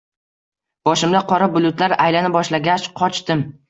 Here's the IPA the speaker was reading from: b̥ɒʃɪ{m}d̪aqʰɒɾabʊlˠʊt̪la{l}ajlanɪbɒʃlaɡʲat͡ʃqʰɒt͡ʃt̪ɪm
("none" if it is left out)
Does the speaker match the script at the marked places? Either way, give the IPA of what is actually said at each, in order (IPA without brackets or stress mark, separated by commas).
m, ɾ